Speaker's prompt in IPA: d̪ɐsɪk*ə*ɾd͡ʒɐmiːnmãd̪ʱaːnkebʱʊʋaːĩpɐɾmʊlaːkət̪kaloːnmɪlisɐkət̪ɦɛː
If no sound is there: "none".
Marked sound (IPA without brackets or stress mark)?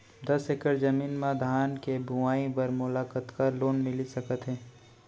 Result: ə